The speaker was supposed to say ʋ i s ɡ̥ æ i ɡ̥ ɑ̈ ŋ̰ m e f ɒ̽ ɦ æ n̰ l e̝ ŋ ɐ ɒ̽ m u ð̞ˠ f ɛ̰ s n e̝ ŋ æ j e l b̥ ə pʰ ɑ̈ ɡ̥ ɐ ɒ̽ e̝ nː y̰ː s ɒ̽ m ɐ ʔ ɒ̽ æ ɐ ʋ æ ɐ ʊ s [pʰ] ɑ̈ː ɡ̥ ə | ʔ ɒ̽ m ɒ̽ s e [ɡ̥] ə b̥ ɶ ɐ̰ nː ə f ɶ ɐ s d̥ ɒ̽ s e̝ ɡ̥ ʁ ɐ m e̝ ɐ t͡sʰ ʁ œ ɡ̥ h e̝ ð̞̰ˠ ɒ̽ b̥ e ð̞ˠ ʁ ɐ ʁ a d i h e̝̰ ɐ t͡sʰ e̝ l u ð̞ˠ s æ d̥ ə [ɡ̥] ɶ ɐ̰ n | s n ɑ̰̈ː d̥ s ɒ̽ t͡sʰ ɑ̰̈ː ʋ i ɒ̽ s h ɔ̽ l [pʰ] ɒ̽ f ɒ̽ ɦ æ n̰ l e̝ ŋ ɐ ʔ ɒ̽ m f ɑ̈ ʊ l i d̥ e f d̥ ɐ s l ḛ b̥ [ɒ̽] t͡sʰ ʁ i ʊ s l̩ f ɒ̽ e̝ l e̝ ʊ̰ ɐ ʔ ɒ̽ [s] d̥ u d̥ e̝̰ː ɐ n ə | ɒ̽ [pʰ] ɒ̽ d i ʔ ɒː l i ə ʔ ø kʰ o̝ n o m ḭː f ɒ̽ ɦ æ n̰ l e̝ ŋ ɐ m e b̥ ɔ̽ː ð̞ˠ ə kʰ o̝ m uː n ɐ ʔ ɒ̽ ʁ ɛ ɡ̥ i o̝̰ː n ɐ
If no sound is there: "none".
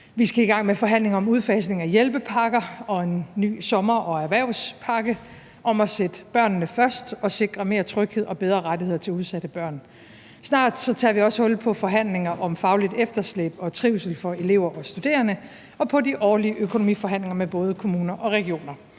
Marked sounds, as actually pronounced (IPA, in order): pʰ, d̥, b̥, pʰ, ɒ̽, s, pʰ

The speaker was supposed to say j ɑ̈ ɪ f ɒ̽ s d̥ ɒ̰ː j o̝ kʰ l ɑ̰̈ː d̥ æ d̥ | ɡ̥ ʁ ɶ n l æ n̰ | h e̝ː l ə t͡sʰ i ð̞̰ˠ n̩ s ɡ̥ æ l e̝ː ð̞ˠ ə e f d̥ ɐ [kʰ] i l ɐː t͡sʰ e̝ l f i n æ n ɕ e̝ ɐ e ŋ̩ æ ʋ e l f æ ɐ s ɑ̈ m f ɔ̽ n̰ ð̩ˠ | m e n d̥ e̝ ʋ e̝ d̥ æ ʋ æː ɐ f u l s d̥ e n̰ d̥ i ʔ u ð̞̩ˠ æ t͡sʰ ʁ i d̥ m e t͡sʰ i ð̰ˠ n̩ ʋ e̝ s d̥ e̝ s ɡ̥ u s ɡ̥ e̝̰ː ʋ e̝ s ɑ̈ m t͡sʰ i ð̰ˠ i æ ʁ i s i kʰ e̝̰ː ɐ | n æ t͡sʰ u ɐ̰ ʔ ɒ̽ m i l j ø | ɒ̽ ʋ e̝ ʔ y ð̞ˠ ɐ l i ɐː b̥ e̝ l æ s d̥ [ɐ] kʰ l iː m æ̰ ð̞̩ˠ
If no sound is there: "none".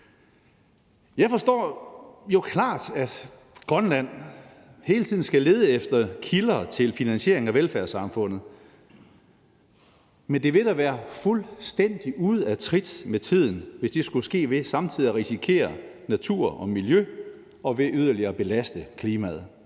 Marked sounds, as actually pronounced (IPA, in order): kʰ, ə

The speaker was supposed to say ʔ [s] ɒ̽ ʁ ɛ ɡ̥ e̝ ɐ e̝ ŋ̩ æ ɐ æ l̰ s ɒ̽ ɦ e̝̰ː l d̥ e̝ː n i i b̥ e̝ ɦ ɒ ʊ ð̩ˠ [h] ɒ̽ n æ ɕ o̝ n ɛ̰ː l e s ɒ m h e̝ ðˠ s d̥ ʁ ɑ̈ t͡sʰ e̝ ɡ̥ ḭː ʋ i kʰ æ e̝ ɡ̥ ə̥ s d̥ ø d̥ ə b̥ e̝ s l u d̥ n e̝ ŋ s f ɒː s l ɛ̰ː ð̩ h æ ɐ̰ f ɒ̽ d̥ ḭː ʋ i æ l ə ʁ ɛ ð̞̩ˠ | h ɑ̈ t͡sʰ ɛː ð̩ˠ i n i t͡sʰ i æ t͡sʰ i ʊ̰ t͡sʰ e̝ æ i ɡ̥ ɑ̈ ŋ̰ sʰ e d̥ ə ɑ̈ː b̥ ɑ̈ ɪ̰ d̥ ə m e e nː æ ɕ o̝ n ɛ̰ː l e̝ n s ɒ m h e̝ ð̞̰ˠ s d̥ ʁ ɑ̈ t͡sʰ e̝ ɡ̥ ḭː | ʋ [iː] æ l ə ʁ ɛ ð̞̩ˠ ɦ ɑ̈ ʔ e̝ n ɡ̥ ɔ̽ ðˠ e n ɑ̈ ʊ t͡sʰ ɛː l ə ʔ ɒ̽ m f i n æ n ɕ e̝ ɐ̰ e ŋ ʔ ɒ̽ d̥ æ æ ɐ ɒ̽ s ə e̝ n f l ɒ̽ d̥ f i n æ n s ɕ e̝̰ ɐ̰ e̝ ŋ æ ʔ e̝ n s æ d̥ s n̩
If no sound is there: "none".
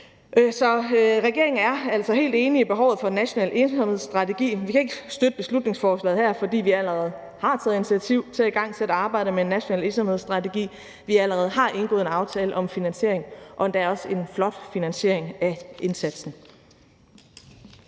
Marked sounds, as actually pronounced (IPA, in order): s, f, i

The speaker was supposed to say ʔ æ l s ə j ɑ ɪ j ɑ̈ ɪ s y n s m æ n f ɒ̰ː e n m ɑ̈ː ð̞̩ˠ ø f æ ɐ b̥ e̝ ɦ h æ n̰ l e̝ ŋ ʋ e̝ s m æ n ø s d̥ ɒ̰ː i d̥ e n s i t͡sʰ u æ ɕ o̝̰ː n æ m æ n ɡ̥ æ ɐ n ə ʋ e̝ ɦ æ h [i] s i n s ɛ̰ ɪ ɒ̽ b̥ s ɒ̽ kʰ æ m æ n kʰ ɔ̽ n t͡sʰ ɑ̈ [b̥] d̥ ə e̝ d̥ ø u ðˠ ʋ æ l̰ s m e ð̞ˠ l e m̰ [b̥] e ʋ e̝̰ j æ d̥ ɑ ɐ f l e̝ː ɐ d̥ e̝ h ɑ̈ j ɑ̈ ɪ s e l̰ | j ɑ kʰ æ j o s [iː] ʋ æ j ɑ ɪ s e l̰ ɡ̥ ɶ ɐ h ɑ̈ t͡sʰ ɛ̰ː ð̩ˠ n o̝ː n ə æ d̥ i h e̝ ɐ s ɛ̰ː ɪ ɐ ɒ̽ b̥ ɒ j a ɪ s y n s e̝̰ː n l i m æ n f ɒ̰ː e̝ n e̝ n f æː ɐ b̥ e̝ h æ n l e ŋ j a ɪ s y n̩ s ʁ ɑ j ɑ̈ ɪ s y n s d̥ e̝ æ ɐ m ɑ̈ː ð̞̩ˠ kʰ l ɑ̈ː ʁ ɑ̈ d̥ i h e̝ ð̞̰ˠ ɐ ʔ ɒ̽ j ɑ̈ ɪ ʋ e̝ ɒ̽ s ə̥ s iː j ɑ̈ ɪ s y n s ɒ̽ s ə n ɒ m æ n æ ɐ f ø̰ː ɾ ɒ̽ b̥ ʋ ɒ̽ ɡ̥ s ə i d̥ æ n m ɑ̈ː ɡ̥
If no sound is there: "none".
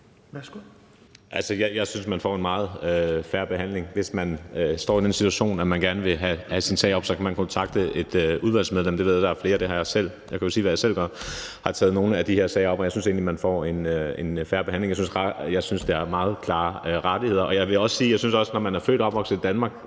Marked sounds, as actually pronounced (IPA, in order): æ, ɡ̥, d̥, iː

